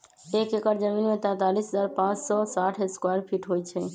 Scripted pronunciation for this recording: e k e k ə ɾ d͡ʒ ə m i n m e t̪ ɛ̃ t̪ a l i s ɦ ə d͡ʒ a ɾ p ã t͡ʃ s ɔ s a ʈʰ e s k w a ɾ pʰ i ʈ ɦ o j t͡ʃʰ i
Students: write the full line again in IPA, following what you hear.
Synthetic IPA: e k e k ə ɾ d͡ʒ ə m i n m e t̪ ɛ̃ t̪ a l i s ɦ ə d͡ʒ a ɾ p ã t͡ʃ s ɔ s a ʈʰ e s k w a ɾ pʰ i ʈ ɦ o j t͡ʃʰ ɛ